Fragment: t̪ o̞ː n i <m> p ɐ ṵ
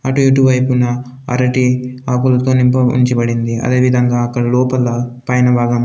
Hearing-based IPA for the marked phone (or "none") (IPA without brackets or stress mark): m